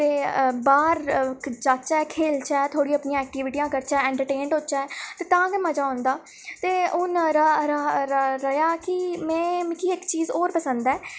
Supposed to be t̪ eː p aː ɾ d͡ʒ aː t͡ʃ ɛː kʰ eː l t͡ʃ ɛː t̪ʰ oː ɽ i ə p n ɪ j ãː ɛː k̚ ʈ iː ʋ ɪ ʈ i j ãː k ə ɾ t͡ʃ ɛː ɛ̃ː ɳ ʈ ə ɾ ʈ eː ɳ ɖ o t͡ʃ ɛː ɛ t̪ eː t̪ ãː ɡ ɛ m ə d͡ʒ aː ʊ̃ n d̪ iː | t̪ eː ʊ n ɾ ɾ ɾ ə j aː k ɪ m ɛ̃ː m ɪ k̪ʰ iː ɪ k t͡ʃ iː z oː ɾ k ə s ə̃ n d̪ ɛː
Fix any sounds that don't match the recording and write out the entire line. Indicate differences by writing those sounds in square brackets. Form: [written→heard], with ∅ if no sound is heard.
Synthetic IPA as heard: t̪ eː [p→b] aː ɾ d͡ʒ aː t͡ʃ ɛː kʰ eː l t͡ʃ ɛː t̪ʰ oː ɽ i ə p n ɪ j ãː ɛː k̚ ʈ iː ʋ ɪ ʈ i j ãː k ə ɾ t͡ʃ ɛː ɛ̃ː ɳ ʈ ə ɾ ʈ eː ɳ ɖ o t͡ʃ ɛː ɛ t̪ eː t̪ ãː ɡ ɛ m ə d͡ʒ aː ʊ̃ n d̪ [iː→aː] | t̪ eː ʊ n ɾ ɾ ɾ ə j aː k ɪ m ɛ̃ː m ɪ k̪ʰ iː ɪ k t͡ʃ iː z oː ɾ [k→p] ə s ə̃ n d̪ ɛː